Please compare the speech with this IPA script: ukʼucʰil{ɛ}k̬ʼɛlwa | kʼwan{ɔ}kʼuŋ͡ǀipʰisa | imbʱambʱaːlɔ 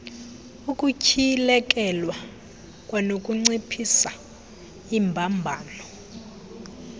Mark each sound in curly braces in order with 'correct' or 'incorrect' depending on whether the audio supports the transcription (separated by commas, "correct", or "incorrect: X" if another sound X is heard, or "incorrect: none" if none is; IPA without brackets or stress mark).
correct, incorrect: o